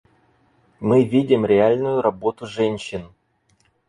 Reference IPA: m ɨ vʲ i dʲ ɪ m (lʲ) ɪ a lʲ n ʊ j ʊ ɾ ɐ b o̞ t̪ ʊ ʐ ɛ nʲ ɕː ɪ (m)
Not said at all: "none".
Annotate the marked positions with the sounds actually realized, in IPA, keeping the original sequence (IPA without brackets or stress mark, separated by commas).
ɾʲ, n